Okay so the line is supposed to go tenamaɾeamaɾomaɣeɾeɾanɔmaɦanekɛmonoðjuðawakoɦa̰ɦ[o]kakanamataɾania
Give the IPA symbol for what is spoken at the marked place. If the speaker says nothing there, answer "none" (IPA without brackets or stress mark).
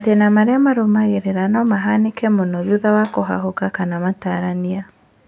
o